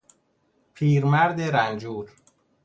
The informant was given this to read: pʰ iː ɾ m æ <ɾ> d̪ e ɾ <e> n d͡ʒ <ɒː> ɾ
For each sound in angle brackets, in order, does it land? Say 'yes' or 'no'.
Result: yes, no, no

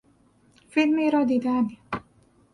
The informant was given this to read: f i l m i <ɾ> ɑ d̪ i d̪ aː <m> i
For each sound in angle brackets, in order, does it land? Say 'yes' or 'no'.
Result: yes, no

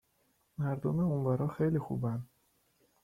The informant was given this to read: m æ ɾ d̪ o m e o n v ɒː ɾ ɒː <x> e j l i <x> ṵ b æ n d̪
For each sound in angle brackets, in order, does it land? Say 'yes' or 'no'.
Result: yes, yes

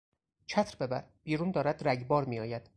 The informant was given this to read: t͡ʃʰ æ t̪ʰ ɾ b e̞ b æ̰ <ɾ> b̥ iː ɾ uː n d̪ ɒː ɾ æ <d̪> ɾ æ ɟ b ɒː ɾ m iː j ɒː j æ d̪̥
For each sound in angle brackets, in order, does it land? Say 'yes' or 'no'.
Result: yes, yes

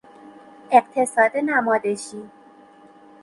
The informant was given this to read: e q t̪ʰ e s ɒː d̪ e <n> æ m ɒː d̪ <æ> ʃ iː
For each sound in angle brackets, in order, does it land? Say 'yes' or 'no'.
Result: yes, no

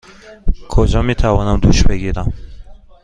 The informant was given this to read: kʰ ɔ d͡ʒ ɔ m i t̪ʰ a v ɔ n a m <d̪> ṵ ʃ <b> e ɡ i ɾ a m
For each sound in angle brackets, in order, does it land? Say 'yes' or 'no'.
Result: yes, yes

